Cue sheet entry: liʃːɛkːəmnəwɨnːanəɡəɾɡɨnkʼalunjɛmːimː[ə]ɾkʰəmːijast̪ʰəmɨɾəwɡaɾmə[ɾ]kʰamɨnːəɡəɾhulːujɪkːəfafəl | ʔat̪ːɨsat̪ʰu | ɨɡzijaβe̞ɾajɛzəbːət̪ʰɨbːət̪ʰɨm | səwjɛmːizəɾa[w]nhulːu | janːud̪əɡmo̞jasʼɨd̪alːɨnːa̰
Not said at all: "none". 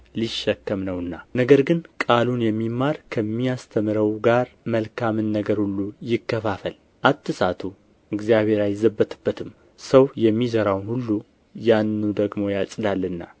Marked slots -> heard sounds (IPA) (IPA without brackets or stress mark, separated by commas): a, l, w